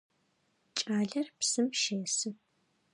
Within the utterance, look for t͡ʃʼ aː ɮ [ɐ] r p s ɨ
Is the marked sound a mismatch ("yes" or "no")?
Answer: no